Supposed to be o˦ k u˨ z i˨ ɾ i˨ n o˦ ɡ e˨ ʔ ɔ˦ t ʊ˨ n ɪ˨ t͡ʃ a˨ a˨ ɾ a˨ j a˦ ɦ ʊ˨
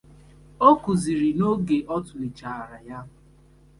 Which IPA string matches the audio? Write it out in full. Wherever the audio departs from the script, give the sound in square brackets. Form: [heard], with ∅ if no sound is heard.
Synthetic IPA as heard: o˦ k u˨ z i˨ ɾ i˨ n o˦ ɡ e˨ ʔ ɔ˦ t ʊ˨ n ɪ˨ t͡ʃ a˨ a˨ ɾ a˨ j a˦ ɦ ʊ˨